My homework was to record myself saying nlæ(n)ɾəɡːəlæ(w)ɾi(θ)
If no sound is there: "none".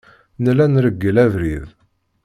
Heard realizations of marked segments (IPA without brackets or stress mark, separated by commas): n, v, ð